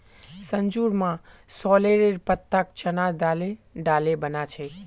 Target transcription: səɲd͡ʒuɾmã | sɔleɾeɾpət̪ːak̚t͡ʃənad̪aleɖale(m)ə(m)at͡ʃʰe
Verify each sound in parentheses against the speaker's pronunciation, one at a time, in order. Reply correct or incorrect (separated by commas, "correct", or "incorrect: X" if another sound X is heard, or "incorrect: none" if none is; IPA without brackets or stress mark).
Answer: incorrect: b, incorrect: n